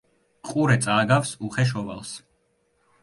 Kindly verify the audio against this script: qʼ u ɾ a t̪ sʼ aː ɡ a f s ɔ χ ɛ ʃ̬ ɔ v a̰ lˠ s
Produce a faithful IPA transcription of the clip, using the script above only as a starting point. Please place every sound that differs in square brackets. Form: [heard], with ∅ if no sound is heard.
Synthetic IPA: qʼ u ɾ [ɛ] t̪ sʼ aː ɡ a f s [u] χ ɛ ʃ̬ ɔ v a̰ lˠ s